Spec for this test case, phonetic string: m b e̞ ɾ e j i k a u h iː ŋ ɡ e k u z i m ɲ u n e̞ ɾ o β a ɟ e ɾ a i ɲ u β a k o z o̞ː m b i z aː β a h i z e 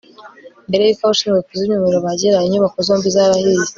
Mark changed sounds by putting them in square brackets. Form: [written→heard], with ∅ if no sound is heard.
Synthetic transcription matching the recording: m b e̞ ɾ e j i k a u [h→ʃ] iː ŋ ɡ e k u z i m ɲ u [n→m] e̞ ɾ o β a ɟ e ɾ a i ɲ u β a k o z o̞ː m b i z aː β a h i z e